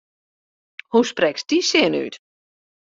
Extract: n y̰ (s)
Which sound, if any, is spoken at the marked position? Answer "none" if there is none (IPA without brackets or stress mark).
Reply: t